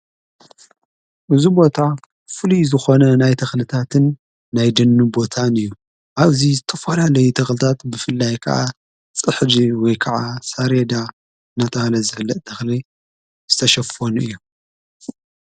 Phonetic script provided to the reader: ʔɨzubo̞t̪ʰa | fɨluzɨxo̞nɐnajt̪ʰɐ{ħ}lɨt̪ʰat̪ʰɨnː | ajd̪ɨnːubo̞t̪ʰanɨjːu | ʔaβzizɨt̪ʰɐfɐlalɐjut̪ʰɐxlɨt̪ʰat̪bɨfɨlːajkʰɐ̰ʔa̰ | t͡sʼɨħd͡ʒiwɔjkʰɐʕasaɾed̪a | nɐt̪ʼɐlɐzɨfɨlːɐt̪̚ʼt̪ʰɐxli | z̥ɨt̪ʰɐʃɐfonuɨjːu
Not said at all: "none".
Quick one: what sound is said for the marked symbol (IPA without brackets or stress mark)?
x